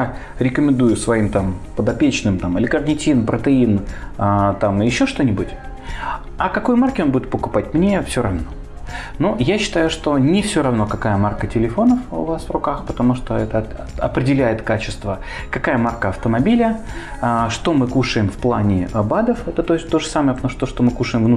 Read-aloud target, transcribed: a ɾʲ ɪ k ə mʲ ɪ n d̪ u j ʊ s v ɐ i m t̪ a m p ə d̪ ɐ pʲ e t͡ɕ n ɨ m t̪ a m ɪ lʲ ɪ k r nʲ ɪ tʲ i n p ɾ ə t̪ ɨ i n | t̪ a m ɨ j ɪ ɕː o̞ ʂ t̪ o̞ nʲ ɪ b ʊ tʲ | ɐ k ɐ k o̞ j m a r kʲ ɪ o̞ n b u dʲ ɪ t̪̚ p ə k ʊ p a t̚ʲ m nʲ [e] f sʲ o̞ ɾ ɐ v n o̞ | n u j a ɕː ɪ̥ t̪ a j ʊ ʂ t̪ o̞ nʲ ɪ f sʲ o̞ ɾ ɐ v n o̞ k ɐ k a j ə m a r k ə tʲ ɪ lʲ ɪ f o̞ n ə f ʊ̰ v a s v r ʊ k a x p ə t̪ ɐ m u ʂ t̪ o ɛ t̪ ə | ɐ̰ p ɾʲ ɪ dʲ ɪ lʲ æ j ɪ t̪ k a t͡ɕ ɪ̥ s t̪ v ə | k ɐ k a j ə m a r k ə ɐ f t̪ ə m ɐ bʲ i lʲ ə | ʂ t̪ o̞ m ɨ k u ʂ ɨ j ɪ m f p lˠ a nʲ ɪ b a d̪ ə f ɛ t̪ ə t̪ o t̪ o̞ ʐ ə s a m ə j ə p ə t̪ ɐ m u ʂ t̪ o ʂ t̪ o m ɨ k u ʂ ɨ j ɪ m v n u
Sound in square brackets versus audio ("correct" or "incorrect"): correct